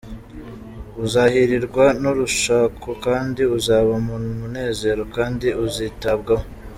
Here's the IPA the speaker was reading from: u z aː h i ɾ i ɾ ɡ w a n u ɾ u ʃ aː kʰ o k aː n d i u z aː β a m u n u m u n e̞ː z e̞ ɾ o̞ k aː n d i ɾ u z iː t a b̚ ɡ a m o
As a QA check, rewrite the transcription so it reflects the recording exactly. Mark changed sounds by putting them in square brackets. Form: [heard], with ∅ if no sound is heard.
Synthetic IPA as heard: u z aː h i ɾ i ɾ ɡ w a n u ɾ u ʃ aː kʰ o k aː n d i u z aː β a m u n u m u n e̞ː z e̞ ɾ o̞ k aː n d i [∅] u z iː t a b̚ ɡ a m o